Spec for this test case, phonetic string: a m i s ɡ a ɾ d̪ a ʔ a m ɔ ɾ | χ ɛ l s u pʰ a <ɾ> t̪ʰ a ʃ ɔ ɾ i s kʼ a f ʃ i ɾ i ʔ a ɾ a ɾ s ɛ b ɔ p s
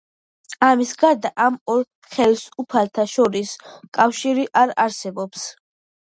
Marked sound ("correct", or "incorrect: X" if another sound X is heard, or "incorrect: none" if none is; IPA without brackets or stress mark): incorrect: l